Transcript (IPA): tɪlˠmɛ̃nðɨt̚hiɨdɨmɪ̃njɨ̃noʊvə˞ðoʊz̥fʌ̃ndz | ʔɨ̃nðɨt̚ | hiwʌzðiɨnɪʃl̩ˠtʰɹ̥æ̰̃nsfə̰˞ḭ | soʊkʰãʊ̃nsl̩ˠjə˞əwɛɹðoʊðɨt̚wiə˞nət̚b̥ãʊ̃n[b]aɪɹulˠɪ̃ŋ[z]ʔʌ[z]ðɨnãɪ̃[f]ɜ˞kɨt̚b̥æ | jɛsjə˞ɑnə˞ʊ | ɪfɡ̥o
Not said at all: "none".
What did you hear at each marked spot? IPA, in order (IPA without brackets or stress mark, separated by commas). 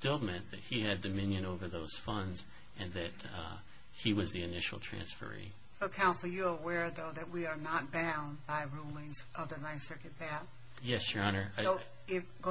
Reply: b, z, v, s